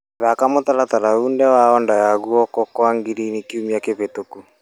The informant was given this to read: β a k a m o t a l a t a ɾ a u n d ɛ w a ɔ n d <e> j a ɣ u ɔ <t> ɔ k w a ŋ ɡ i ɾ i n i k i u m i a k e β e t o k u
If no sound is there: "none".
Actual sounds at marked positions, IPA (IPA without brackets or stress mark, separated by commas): a, k